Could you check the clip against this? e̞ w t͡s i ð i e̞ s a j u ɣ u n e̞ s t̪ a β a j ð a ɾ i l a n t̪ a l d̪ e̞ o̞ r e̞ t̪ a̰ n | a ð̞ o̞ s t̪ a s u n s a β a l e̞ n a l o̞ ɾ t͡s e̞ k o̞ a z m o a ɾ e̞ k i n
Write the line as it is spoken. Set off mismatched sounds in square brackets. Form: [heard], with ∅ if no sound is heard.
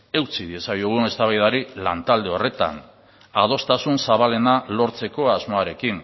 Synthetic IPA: e̞ w t͡s i ð i e̞ s a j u ɣ u n e̞ s t̪ a β a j ð a ɾ i l a n t̪ a l d̪ e̞ o̞ r e̞ t̪ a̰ n | a ð̞ o̞ s t̪ a s u n s a β a l e̞ n a l o̞ ɾ t͡s e̞ k o̞ a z m o a ɾ e̞ k i n